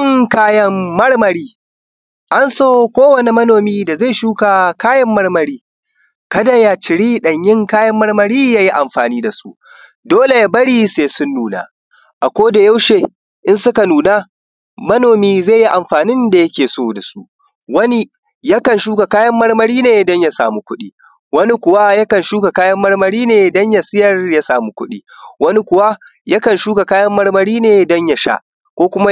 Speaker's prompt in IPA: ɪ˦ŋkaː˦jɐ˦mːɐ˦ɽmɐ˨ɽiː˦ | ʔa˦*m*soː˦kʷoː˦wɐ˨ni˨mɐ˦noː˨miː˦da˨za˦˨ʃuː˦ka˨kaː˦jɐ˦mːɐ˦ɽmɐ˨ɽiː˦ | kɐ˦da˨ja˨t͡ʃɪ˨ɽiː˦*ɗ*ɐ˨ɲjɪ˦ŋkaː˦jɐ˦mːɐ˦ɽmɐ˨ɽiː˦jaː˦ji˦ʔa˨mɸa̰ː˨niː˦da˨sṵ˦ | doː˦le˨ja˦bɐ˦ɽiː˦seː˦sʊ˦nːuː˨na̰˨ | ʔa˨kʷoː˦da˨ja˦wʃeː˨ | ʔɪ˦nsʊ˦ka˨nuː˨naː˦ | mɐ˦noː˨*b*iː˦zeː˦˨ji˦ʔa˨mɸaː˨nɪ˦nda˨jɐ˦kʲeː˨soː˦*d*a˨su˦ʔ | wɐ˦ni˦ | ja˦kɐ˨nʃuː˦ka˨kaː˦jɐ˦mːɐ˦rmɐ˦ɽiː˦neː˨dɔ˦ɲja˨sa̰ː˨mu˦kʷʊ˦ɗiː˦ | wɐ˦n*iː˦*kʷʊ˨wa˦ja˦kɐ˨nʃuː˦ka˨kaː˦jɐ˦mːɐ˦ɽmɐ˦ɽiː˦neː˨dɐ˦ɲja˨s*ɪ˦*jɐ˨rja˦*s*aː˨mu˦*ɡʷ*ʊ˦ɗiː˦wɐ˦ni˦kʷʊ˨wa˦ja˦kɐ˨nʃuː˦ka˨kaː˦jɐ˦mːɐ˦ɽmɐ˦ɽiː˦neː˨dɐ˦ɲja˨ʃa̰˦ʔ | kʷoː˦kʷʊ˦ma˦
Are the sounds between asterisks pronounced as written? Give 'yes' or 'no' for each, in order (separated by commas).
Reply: no, yes, no, yes, no, yes, yes, no